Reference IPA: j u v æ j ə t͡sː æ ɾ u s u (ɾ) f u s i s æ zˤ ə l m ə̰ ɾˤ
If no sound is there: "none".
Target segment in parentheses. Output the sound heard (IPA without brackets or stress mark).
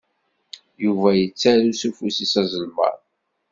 none